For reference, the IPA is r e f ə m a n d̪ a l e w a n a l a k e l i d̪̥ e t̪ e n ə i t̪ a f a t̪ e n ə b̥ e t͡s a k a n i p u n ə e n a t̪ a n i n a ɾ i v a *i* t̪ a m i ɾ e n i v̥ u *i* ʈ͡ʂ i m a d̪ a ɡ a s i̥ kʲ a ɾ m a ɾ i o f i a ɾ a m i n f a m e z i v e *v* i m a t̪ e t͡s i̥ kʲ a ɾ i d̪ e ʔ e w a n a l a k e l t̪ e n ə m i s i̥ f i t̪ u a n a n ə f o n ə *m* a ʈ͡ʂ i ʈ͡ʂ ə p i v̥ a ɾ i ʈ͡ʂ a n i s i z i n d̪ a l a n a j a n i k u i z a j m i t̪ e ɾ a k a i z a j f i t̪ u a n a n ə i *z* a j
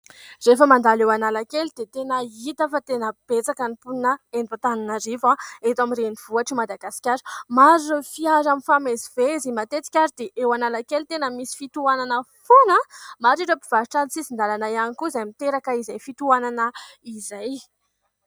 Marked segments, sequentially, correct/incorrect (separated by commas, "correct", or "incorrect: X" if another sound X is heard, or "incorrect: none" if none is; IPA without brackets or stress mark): incorrect: e, incorrect: a, incorrect: z, correct, correct